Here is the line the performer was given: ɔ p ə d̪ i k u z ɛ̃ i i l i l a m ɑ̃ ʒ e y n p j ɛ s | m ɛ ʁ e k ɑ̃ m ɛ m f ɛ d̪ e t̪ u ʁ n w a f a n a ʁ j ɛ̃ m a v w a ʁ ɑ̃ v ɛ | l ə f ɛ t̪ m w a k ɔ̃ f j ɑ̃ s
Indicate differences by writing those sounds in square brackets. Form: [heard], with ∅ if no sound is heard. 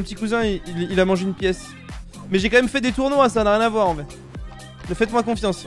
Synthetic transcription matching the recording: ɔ p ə [t̪] i k u z ɛ̃ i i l i l a m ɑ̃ ʒ e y n p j ɛ s | m ɛ [ʒ] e k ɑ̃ m ɛ m f ɛ d̪ e t̪ u ʁ n w a [s] a n a ʁ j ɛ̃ [n] a v w a ʁ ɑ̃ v ɛ | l ə f ɛ t̪ m w a k ɔ̃ f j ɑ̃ s